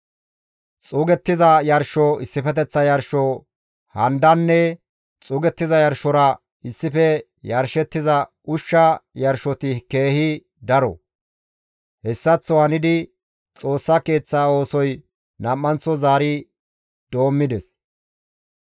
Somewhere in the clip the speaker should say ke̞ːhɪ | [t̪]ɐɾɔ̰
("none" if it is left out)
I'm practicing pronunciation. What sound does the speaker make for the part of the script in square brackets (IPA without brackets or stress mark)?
d̪